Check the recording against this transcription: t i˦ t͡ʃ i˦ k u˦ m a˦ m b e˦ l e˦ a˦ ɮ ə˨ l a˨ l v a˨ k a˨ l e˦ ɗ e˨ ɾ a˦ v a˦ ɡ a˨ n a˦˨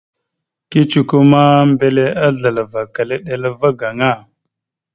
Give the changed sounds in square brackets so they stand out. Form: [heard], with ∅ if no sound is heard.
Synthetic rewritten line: [k] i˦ t͡ʃ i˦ k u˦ m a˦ m b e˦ l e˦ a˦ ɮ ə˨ l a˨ [∅] v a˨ k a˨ l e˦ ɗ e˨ [l] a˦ v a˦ ɡ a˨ [ŋ] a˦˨